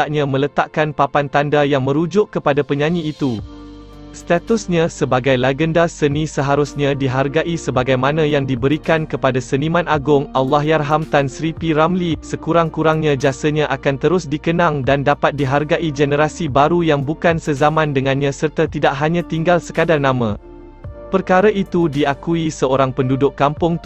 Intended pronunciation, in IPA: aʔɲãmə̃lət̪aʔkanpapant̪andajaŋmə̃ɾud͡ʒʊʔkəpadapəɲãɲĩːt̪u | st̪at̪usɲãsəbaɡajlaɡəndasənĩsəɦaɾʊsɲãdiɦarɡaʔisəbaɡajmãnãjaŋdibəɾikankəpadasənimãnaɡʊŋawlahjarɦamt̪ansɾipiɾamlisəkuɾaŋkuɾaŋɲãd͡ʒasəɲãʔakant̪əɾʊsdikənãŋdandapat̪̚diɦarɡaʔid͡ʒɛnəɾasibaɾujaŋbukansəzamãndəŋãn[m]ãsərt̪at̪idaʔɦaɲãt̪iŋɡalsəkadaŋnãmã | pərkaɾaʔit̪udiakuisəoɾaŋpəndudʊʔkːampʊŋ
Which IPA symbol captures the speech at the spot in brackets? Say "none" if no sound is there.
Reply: ɲ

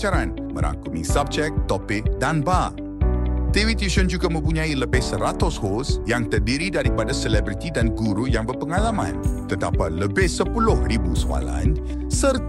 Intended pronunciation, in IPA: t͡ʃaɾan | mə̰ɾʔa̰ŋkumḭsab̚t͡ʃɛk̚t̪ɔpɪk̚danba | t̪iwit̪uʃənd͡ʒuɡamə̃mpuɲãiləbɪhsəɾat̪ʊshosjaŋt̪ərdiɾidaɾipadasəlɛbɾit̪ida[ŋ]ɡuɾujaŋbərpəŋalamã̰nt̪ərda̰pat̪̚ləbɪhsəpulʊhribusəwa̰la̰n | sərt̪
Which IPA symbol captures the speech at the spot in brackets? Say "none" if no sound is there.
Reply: n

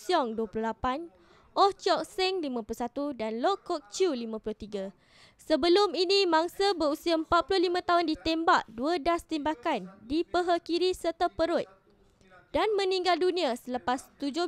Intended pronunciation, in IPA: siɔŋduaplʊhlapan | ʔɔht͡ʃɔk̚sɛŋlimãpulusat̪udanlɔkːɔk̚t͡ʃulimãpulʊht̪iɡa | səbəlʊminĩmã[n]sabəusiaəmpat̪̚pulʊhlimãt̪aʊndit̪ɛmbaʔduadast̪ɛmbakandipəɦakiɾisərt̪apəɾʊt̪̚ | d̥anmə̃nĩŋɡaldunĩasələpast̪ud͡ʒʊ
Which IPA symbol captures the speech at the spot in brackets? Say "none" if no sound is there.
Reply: ŋ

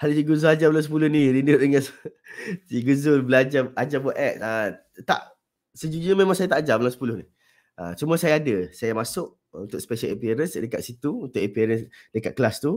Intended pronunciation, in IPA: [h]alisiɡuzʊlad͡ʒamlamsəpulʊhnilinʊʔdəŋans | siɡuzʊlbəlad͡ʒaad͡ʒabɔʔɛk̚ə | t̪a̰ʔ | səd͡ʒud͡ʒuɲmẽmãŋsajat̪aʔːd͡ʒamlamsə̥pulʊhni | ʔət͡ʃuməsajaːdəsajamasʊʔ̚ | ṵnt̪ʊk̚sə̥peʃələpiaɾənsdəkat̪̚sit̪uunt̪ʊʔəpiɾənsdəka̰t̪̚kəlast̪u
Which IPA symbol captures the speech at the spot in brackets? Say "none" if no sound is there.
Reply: h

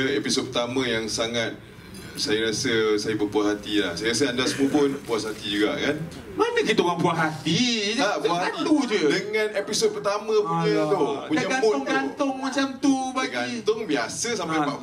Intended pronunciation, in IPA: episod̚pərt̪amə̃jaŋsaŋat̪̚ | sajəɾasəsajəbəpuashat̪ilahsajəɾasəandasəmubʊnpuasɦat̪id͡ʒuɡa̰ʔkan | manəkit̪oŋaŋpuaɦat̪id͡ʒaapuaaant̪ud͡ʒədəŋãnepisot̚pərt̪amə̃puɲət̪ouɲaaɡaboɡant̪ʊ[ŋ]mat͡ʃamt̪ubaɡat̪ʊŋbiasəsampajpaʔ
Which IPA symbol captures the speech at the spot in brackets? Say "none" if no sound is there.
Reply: ŋ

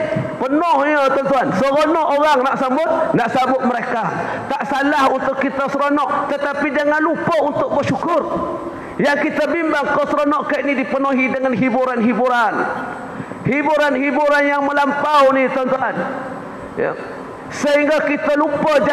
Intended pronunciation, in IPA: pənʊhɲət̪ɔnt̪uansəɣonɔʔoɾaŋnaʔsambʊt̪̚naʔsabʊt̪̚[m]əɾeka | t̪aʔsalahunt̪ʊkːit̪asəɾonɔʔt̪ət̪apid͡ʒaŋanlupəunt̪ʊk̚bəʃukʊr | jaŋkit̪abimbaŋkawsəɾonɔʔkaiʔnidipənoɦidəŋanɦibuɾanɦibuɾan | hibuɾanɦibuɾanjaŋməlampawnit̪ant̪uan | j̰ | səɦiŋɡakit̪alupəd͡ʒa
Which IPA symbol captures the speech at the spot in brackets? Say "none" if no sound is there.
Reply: m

